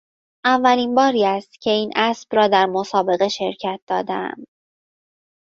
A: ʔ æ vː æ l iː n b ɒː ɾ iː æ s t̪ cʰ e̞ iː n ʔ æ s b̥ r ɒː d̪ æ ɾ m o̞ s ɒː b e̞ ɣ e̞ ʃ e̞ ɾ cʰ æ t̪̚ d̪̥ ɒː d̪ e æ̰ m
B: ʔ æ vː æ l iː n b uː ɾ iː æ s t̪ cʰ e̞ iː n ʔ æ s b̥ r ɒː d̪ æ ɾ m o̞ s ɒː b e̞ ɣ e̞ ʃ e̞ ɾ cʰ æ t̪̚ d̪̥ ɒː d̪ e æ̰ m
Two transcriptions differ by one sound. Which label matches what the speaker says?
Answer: A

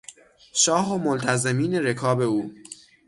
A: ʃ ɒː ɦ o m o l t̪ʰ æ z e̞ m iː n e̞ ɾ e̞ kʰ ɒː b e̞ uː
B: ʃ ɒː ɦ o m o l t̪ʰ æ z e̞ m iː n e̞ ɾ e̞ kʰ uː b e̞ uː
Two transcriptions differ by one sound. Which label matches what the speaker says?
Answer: A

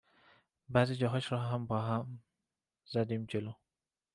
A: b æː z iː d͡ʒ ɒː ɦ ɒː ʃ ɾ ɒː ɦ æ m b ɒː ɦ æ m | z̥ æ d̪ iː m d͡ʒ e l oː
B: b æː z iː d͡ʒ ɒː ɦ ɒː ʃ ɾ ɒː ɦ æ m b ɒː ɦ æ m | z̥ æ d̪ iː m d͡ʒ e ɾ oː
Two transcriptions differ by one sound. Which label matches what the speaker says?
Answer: A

